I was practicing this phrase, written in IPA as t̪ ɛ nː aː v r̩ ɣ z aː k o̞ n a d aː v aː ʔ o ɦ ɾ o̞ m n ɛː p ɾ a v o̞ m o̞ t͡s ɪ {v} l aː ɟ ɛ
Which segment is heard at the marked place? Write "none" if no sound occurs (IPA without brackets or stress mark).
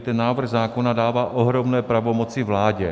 v